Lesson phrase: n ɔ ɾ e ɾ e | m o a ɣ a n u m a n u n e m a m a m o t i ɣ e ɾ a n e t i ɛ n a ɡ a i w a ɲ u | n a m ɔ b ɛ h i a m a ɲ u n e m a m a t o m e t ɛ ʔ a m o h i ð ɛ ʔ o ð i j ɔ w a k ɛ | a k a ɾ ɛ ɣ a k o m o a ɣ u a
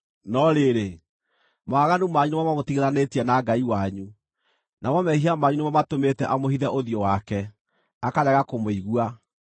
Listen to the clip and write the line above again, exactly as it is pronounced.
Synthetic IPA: n ɔ ɾ e ɾ e | m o a ɣ a n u m a ɲ u n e m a m a m o t i ɣ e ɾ a n e t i ɛ n a ɡ a i w a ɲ u | n a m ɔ m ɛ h i a m a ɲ u n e m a m a t o m e t ɛ ʔ a m o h i ð ɛ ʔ o ð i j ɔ w a k ɛ | a k a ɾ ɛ ɣ a k o m o i ɣ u a